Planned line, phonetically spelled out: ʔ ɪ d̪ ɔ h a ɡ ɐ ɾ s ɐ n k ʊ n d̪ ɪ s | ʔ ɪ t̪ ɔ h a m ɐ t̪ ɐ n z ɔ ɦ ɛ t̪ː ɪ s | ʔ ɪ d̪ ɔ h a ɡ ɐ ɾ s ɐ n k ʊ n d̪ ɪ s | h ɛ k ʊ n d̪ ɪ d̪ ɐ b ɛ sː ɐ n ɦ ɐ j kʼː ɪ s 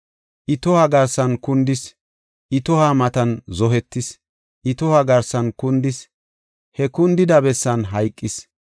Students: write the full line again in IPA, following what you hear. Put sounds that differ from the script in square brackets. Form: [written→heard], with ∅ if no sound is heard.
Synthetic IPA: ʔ ɪ [d̪→t̪] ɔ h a ɡ ɐ ɾ s ɐ n k ʊ n d̪ ɪ s | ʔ ɪ t̪ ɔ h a m ɐ t̪ ɐ n z ɔ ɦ ɛ t̪ː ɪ s | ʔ ɪ [d̪→t̪] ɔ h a ɡ ɐ ɾ s ɐ n k ʊ n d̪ ɪ s | h ɛ k ʊ n d̪ ɪ d̪ ɐ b ɛ sː ɐ n ɦ ɐ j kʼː ɪ s